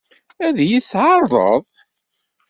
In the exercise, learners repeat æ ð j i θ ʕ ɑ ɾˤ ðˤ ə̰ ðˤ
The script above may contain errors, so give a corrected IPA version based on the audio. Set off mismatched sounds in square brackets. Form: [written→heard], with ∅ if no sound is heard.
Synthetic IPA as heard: æ ð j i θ ʕ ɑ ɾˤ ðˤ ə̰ ðˤ

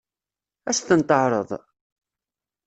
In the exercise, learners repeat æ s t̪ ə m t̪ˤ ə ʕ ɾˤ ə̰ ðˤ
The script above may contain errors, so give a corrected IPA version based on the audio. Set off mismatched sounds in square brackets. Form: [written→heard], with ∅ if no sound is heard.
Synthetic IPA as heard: æ s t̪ ə [m→n] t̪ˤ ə ʕ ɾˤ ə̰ ðˤ

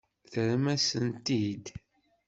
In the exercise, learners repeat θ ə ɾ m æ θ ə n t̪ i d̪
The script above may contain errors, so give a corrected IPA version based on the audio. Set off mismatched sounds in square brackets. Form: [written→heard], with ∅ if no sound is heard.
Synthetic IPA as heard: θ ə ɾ m æ [θ→s] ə n t̪ i d̪

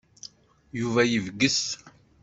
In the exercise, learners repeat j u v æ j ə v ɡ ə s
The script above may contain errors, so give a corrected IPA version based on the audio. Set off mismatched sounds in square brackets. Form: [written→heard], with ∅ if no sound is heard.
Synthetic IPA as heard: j u v æ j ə v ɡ ə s

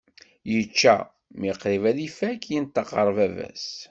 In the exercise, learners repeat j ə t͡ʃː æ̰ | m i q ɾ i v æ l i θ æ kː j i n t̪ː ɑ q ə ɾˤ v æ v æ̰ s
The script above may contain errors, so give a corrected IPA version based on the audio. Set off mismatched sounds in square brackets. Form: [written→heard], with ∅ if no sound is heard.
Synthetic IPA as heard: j ə t͡ʃː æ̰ | m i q ɾ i v æ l i [θ→f] æ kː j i n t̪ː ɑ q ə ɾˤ v æ v æ̰ s

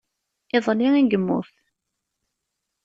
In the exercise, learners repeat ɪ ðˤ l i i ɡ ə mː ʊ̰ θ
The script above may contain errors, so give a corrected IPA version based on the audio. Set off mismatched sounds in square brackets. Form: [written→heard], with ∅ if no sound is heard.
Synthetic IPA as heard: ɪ ðˤ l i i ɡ ə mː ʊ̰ θ

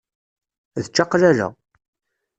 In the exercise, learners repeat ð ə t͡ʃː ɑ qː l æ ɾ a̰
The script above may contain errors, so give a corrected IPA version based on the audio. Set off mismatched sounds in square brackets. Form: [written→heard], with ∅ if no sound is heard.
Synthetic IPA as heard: ð ə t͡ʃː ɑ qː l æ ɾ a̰

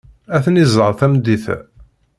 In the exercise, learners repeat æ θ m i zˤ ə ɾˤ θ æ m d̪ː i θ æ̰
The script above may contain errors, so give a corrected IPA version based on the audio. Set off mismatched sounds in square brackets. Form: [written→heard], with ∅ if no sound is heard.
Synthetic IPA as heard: æ θ [m→n] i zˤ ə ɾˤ θ æ m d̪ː i θ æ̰

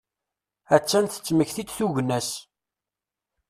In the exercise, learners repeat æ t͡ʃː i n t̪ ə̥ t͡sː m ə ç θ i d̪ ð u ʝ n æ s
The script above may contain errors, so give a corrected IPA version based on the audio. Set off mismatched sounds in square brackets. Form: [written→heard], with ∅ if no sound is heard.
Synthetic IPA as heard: æ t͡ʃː [i→æ] n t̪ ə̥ t͡sː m ə ç θ i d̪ [ð→θ] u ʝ n æ s

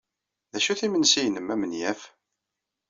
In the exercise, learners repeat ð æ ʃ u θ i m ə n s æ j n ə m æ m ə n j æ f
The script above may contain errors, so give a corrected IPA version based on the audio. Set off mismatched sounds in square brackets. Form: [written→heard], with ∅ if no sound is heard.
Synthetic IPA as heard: ð æ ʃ u θ i m ə n s [æ→i] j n ə m æ m ə n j æ f

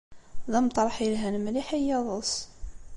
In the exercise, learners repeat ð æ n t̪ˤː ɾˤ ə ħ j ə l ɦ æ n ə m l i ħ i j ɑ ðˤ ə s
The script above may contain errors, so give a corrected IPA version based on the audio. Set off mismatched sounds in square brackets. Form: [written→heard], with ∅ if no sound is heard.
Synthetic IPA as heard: ð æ [n→m] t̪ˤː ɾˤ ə ħ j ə l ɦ æ n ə m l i ħ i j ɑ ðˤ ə s

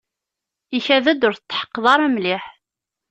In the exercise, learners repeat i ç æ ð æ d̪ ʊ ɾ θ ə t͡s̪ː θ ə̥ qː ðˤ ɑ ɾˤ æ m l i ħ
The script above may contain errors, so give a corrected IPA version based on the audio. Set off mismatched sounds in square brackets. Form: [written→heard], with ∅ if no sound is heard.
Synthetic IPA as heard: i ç æ ð æ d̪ ʊ ɾ θ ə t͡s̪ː [θ→ħ] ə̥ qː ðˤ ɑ ɾˤ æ m l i ħ

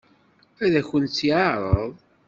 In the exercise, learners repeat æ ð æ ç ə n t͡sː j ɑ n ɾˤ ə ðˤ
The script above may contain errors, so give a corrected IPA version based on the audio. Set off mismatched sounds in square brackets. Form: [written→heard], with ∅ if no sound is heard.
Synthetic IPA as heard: æ ð æ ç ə n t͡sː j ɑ [n→∅] ɾˤ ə ðˤ

